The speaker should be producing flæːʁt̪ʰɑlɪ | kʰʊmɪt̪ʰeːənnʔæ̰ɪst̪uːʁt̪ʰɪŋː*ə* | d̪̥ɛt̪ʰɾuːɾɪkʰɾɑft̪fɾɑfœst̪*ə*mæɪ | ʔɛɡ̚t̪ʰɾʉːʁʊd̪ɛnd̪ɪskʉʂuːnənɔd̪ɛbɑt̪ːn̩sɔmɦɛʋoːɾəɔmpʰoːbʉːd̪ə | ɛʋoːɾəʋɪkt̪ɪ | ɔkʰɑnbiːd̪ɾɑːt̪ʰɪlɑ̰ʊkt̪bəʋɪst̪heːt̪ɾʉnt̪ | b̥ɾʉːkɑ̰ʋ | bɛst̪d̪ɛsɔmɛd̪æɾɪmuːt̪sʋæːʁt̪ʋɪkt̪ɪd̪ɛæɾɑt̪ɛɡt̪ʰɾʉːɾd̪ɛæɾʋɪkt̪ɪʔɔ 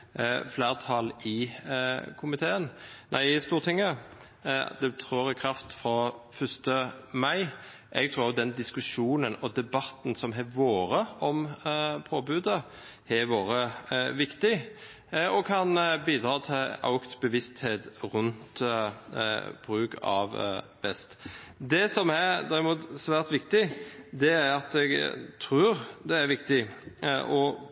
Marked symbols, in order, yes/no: yes, yes

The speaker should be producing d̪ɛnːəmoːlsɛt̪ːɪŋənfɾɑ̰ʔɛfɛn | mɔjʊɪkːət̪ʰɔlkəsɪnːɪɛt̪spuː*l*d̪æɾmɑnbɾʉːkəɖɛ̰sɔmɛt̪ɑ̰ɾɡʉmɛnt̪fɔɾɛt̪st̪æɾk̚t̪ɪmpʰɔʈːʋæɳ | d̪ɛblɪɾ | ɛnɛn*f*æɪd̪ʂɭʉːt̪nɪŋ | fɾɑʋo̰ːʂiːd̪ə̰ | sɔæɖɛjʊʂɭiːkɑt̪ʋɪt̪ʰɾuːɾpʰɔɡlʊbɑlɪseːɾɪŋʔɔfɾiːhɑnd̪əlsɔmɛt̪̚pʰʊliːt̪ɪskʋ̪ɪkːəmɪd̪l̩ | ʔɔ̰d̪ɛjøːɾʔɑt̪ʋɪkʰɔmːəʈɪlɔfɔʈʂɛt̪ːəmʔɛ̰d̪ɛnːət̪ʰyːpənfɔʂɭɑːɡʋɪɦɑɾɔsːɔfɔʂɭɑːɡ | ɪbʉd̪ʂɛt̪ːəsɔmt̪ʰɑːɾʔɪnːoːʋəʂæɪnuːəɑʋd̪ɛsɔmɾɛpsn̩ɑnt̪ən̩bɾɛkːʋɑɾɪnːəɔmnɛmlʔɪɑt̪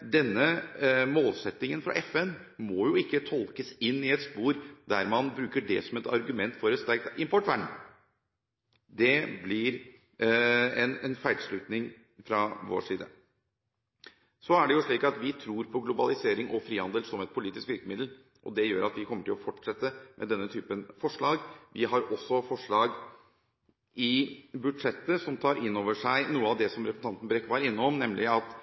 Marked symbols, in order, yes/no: no, yes

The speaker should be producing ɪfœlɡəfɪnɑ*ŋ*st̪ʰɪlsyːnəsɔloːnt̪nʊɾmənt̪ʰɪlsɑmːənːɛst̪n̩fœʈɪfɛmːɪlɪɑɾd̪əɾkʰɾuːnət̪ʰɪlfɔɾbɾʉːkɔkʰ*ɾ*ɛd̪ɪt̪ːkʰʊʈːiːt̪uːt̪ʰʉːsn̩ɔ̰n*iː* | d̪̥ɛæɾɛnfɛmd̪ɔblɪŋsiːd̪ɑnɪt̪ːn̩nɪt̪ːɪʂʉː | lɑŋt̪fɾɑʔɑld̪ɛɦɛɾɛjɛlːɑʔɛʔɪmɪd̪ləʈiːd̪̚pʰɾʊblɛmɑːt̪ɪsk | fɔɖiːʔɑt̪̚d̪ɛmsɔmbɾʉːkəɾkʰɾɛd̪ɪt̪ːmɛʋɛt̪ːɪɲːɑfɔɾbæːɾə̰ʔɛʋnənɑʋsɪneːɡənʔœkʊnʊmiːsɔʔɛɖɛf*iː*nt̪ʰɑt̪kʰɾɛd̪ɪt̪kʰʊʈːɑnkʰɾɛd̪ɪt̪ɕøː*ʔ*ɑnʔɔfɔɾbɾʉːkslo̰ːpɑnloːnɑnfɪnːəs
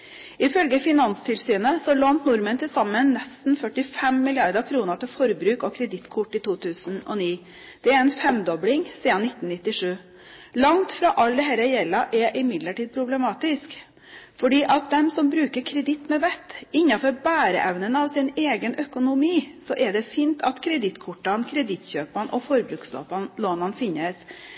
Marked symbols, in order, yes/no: no, yes, yes, yes, no

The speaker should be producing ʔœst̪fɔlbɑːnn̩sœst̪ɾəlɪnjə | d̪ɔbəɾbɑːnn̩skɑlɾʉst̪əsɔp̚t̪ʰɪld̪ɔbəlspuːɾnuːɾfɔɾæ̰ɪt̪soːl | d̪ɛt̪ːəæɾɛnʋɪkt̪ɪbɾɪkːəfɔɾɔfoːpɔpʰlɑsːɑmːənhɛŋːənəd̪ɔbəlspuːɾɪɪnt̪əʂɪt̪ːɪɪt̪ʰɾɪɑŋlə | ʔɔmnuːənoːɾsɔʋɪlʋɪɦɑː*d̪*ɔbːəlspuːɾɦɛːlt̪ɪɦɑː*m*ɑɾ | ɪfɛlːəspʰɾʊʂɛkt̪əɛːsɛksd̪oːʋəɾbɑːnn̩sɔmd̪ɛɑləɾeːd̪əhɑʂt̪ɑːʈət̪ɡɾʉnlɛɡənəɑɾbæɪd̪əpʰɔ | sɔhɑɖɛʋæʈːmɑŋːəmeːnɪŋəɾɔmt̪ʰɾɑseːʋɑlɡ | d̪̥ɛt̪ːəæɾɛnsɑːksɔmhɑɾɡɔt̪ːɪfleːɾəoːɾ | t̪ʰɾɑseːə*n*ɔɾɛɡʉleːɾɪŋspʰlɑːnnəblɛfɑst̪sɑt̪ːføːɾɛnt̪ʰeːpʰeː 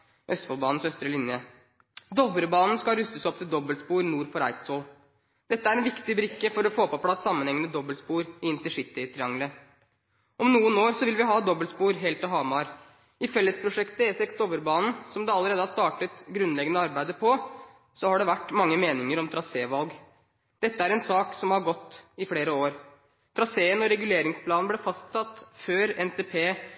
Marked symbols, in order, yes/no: yes, yes, yes

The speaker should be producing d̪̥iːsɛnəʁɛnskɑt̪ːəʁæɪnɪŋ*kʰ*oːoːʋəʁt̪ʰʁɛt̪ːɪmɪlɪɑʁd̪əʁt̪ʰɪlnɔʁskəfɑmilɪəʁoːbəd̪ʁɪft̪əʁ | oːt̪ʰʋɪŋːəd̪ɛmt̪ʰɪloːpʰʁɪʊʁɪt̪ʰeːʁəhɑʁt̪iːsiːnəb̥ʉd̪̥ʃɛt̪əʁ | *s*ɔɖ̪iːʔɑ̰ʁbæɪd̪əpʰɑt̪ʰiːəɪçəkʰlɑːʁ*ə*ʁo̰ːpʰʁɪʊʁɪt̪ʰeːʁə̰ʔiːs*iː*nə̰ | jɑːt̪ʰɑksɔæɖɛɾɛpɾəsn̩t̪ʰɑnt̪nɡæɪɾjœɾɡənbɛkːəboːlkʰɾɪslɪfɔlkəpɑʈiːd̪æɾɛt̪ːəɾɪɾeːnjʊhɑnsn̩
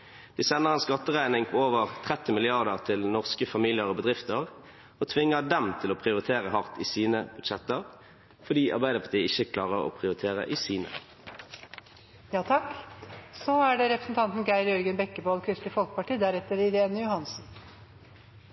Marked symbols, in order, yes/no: no, no, yes, yes

